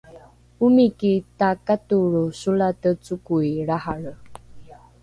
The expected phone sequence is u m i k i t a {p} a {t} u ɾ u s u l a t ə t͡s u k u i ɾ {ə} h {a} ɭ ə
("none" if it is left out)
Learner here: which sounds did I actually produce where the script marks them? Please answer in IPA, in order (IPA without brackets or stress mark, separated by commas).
k, t, a, a